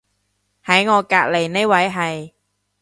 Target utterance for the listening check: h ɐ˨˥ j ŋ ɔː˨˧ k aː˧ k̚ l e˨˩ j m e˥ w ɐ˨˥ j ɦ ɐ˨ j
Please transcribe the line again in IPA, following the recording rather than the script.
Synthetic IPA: h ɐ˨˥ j ŋ ɔː˨˧ k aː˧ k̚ l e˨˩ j n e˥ w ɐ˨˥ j ɦ ɐ˨ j